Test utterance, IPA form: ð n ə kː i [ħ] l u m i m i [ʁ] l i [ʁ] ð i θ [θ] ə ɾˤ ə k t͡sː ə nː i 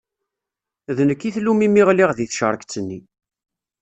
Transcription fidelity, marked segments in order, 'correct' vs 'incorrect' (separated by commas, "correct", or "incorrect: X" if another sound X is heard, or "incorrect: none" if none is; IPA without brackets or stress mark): incorrect: θ, correct, correct, incorrect: ʃ